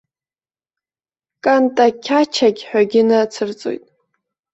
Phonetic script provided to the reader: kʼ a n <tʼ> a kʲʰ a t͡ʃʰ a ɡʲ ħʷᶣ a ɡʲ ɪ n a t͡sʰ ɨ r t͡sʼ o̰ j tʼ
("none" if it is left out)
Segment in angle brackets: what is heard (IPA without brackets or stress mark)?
tʼ